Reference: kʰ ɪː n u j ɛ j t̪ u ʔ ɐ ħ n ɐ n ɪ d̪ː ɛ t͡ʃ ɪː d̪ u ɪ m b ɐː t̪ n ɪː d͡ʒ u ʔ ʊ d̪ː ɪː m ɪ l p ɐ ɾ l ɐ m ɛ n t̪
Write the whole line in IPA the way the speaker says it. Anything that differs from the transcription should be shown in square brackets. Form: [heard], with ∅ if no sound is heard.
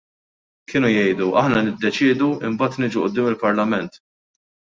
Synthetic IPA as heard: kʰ ɪː n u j ɛ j [d̪] u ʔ ɐ ħ n ɐ n ɪ d̪ː ɛ t͡ʃ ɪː d̪ u ɪ m b ɐː t̪ n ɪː d͡ʒ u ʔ ʊ d̪ː ɪː m ɪ l p ɐ ɾ l ɐ m ɛ n t̪

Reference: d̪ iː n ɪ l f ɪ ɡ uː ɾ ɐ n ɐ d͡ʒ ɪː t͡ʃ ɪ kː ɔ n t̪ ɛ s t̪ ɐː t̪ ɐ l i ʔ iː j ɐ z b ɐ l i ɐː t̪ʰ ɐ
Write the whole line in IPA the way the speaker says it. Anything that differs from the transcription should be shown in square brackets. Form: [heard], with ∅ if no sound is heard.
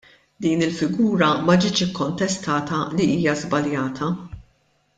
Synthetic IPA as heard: d̪ iː n ɪ l f ɪ ɡ uː ɾ ɐ [m] ɐ d͡ʒ ɪː t͡ʃ ɪ kː ɔ n t̪ ɛ s t̪ ɐː t̪ ɐ l i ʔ iː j ɐ z b ɐ l [j] ɐː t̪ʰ ɐ

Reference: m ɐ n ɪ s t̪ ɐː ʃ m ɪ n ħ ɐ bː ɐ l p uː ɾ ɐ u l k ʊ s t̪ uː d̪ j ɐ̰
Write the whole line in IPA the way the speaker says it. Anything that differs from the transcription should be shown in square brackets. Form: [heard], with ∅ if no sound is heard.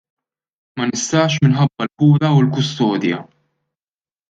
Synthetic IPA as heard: m ɐ n ɪ s t̪ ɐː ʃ m ɪ n ħ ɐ bː ɐ l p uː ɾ ɐ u l k ʊ s t̪ [ɔː] d̪ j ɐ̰

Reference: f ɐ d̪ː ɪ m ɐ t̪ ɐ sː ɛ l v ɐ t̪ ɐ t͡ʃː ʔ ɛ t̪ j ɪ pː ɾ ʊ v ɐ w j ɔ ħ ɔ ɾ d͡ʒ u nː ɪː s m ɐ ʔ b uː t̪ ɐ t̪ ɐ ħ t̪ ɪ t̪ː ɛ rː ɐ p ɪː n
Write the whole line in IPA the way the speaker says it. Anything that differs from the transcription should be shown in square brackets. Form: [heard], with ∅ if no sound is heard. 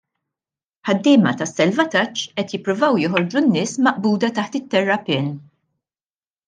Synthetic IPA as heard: [ħ] ɐ d̪ː [ɪː] m ɐ t̪ ɐ sː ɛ l v ɐ t̪ ɐ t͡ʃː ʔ ɛ t̪ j ɪ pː ɾ ʊ v ɐ w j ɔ ħ ɔ ɾ d͡ʒ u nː ɪː s m ɐ ʔ b uː [d̪] ɐ t̪ ɐ ħ t̪ ɪ t̪ː ɛ rː ɐ p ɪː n

